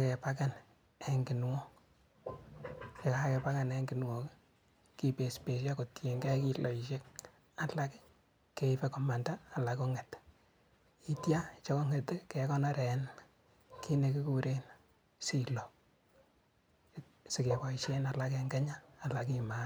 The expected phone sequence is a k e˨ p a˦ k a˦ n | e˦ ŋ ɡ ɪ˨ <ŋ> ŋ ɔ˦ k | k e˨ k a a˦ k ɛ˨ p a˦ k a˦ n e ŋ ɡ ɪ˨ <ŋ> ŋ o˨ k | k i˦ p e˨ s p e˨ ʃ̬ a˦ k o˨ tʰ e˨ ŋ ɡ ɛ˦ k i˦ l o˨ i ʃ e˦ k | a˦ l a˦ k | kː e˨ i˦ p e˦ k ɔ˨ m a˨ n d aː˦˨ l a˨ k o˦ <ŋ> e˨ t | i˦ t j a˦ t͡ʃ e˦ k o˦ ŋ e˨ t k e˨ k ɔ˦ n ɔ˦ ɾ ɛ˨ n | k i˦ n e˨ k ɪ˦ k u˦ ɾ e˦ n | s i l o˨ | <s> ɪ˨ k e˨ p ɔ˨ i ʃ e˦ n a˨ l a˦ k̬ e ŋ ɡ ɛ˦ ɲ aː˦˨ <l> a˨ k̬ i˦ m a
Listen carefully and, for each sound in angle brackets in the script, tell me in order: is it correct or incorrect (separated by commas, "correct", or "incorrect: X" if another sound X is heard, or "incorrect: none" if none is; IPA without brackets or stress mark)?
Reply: incorrect: n, incorrect: n, correct, correct, correct